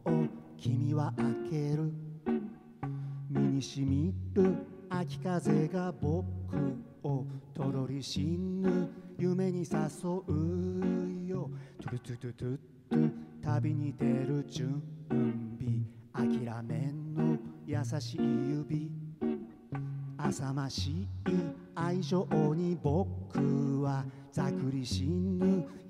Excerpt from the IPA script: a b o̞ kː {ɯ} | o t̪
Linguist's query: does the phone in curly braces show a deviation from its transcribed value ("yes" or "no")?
no